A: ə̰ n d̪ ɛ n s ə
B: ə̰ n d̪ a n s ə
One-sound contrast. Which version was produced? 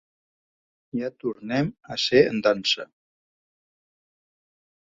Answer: B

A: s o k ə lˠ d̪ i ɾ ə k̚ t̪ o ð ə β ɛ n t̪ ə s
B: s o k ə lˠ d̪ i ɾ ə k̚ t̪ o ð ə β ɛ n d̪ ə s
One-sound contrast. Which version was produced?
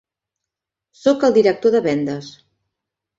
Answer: B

